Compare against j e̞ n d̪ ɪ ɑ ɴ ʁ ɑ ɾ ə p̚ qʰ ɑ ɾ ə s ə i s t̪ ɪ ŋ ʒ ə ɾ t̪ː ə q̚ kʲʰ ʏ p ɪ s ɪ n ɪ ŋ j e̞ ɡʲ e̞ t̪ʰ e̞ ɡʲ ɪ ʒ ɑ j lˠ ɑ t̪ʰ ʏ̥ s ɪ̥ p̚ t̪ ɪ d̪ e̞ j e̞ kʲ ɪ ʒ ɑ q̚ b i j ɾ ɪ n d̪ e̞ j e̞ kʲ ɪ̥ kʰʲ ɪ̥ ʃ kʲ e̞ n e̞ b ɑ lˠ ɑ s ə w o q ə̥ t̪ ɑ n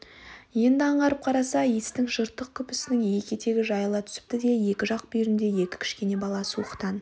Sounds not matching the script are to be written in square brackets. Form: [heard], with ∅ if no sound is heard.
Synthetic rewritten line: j e̞ n d̪ ɪ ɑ ɴ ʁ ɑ ɾ ə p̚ qʰ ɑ ɾ [ɑ] s [ɑ] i s t̪ ɪ ŋ ʒ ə ɾ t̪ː ə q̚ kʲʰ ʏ p ɪ s ɪ n ɪ ŋ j e̞ [kʲ] e̞ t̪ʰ e̞ ɡʲ ɪ ʒ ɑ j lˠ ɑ t̪ʰ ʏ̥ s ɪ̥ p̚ t̪ ɪ d̪ e̞ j e̞ kʲ ɪ ʒ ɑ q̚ b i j ɾ ɪ n d̪ e̞ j e̞ kʲ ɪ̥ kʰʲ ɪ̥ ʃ kʲ e̞ n e̞ b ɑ lˠ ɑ s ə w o q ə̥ t̪ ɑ n